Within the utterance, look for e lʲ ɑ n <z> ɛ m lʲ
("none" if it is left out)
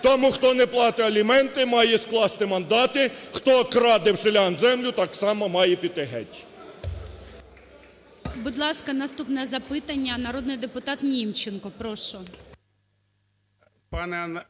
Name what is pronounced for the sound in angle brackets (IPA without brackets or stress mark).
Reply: z